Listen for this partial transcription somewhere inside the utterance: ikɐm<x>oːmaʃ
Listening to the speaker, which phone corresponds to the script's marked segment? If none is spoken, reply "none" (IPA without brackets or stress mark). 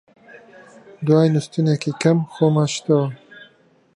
x